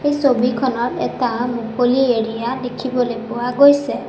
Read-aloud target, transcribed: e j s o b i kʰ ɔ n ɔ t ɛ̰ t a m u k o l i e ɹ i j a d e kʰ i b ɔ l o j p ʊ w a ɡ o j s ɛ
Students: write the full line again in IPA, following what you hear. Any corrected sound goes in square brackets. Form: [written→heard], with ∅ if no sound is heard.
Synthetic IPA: e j s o b i kʰ ɔ n ɔ t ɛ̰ t a m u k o l i e ɹ i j a d e kʰ i b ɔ l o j p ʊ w a ɡ o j s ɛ